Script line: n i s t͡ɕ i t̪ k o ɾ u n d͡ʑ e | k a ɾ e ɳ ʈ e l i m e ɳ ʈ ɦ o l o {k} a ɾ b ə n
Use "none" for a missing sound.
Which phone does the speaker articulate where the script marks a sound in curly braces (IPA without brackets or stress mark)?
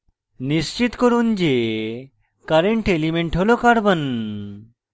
k